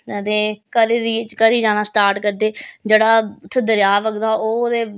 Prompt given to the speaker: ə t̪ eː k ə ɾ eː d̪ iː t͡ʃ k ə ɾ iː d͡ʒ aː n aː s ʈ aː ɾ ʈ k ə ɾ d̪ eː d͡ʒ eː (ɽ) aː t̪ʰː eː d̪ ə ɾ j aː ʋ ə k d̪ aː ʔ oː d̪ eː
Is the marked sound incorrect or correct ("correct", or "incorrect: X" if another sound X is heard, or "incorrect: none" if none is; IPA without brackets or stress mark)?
correct